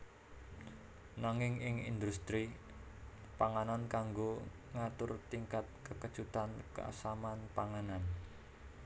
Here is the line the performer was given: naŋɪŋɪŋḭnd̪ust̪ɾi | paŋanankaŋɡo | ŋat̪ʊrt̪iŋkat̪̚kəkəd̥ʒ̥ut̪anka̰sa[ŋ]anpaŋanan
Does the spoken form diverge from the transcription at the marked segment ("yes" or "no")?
yes